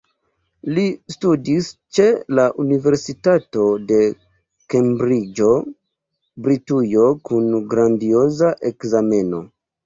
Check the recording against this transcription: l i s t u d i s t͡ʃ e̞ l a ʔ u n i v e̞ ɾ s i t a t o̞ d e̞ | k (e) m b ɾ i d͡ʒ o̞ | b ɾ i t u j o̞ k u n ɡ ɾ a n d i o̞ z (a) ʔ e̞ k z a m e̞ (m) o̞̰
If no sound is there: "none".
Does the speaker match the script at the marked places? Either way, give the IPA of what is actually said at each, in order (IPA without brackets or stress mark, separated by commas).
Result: e, a, n